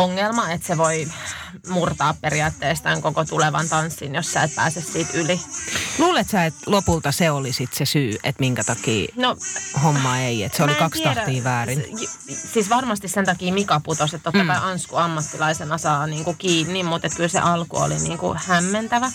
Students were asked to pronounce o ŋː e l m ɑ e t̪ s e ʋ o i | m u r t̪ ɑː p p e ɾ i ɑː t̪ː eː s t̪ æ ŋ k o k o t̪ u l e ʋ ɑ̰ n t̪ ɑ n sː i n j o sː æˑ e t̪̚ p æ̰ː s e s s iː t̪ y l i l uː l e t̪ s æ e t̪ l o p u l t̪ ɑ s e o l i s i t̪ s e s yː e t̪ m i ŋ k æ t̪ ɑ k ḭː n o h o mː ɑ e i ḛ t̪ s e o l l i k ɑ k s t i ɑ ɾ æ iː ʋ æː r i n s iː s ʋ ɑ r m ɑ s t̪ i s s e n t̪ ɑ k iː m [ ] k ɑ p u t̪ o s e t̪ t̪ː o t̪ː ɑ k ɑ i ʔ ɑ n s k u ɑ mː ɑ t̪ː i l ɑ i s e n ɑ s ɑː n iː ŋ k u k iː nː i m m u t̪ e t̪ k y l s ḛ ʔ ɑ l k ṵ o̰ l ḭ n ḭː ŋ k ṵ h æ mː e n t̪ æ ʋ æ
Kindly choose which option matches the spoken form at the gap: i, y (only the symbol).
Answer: i